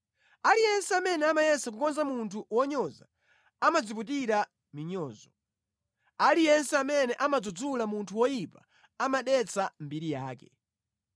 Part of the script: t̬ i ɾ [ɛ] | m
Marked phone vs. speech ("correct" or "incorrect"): incorrect